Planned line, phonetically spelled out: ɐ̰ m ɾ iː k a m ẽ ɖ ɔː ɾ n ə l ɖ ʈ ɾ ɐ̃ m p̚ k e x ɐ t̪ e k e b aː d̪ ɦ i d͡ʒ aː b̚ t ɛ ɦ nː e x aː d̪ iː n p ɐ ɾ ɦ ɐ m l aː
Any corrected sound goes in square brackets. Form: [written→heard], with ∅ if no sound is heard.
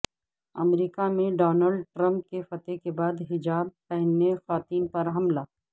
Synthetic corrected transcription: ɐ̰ m ɾ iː k a m ẽ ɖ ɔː [ɾ→∅] n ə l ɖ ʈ ɾ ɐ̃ m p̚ k e [x→f] ɐ t̪ e k e b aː d̪ ɦ [i→ɪ] d͡ʒ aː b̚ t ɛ ɦ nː e x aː [d̪→t̪] iː n p ɐ ɾ ɦ ɐ m l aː